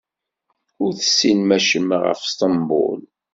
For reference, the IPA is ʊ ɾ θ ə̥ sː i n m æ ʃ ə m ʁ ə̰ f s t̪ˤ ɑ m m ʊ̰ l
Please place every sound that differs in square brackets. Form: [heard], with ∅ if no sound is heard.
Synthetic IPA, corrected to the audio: ʊ ɾ θ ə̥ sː i n m æ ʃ ə m ʁ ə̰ f s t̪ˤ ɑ m [b] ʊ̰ l